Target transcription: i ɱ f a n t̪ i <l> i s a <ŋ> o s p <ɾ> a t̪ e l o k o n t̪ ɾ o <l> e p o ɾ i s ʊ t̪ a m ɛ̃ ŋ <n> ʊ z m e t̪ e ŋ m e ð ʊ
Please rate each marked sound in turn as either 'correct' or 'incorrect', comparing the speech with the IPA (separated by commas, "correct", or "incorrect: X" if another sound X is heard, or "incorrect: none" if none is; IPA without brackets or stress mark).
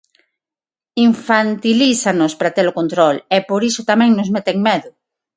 correct, incorrect: n, correct, correct, correct